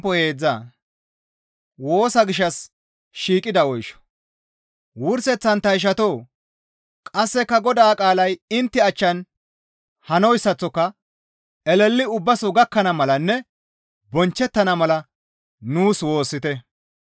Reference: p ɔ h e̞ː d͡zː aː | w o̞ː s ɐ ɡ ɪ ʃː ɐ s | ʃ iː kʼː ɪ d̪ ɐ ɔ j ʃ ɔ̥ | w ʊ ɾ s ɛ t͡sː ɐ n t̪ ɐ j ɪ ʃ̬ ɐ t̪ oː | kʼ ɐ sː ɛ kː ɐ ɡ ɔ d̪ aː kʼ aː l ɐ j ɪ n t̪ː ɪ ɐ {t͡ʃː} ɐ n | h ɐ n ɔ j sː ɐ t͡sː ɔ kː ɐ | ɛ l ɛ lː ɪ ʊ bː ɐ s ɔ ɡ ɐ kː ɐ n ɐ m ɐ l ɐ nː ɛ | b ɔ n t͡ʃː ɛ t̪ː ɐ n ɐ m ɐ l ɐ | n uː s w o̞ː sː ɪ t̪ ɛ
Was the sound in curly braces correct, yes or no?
yes